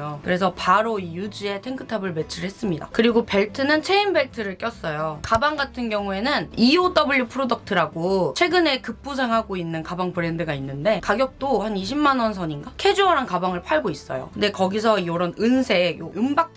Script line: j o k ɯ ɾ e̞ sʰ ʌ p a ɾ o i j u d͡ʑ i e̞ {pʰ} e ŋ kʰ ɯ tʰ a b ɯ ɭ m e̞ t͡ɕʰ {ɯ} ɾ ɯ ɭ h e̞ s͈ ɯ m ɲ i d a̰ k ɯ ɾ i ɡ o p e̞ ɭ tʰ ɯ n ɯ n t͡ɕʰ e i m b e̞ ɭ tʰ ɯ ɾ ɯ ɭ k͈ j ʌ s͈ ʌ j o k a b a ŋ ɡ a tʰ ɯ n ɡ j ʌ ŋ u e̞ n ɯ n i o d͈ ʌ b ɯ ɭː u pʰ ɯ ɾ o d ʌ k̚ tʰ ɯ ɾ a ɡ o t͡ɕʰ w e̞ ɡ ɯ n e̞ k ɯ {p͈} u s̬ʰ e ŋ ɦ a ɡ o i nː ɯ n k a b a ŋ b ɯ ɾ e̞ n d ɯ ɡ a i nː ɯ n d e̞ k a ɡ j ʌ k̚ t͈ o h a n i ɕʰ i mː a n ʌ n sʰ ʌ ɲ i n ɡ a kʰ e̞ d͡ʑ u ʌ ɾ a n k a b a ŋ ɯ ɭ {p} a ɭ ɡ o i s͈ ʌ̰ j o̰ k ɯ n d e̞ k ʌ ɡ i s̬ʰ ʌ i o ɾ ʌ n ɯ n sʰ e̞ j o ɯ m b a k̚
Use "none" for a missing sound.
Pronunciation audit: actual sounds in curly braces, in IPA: tʰ, ɯ, p͈, pʰ

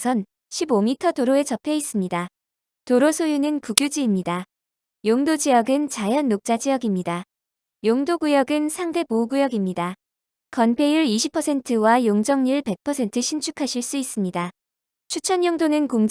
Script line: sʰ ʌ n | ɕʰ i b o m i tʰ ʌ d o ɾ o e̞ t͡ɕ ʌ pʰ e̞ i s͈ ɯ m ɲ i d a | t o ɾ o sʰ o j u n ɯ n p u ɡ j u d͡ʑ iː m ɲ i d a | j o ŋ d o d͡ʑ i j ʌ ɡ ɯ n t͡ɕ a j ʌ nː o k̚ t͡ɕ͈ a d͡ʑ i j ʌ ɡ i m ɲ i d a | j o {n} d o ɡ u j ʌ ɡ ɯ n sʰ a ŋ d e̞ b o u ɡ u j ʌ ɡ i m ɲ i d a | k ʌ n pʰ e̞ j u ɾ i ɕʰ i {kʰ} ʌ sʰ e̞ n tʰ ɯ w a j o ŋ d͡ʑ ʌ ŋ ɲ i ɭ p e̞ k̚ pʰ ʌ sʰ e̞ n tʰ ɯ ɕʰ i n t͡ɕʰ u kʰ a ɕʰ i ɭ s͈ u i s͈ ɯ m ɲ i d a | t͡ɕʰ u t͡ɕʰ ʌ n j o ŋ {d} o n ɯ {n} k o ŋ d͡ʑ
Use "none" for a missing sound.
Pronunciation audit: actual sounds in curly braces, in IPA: ŋ, pʰ, d, n

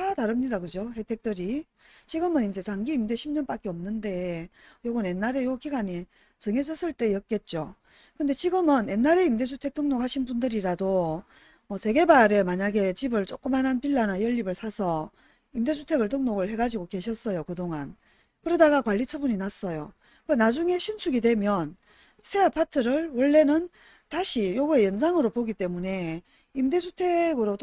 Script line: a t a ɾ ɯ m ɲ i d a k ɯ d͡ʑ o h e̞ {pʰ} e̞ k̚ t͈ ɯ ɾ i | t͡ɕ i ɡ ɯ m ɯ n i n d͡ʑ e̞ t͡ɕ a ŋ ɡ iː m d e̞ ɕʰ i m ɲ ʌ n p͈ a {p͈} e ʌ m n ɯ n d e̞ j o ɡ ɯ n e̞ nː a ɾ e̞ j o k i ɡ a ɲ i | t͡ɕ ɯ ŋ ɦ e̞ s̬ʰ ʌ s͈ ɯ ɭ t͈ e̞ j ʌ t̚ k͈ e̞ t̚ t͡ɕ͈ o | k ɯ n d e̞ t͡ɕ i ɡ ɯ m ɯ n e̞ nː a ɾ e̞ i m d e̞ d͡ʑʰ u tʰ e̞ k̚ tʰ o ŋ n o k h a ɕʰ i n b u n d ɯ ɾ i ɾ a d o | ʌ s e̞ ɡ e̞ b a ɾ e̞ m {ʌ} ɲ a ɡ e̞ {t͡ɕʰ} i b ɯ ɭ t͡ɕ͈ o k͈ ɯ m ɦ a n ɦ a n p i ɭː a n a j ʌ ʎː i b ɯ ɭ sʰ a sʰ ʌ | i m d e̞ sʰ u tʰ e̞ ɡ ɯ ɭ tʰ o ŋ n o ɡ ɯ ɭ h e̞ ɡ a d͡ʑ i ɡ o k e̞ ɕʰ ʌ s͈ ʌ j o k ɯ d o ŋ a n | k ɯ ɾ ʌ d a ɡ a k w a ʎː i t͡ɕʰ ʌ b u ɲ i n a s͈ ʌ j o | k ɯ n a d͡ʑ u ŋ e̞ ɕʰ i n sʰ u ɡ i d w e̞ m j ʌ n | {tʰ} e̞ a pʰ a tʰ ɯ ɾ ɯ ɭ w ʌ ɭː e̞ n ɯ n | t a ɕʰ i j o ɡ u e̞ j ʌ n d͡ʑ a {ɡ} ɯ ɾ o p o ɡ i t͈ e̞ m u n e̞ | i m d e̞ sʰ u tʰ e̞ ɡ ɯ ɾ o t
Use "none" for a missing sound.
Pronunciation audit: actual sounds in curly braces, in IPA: tʰ, k͈, a, t͡ɕ, sʰ, ŋ

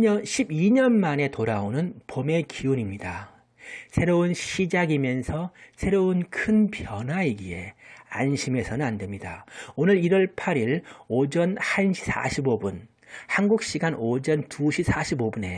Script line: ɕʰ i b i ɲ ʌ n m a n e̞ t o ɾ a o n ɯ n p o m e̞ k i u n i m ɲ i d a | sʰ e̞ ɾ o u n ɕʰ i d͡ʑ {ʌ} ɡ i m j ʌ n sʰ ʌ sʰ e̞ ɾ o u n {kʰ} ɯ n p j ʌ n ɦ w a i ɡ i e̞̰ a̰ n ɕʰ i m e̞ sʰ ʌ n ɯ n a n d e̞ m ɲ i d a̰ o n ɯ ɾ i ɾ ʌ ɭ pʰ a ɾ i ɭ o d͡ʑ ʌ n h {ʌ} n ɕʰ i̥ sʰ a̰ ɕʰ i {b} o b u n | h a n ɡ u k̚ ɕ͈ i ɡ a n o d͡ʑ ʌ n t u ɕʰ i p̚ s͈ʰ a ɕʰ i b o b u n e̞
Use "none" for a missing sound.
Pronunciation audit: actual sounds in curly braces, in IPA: a, kʰ, a, b

